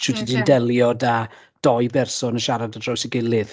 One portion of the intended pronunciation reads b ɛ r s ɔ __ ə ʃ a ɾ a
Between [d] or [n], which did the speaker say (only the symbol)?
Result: n